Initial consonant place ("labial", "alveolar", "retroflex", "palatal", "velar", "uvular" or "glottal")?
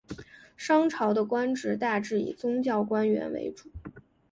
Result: retroflex